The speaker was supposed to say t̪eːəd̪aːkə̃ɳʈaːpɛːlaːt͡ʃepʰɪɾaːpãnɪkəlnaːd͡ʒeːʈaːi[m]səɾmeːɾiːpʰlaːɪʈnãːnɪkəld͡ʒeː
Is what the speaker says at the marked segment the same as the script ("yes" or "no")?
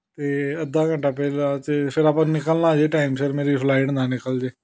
yes